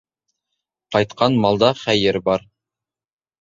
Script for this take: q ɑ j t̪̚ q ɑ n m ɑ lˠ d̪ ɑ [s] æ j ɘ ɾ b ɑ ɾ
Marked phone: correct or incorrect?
incorrect: χ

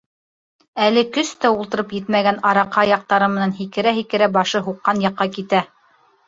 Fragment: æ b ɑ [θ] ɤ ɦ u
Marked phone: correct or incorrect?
incorrect: ʃ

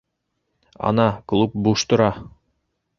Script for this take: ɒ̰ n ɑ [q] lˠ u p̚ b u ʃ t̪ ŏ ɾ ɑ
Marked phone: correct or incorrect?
incorrect: k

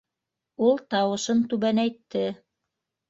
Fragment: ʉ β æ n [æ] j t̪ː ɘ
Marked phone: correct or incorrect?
correct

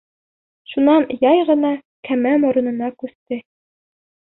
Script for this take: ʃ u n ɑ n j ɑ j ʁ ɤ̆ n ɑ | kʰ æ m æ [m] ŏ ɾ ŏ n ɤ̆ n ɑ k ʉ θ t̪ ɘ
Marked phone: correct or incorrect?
correct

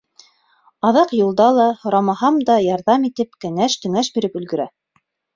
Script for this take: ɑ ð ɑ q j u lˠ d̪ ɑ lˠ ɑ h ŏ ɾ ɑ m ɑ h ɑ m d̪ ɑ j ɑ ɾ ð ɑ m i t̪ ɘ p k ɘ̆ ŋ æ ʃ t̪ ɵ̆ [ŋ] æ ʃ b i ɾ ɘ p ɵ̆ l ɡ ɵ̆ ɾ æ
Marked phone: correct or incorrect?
correct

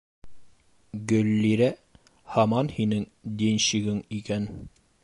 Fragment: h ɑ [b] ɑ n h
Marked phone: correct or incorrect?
incorrect: m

